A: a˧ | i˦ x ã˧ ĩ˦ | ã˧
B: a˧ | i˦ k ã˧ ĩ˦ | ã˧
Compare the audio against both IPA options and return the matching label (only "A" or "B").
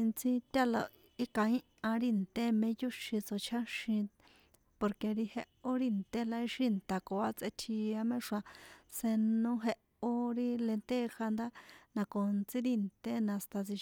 B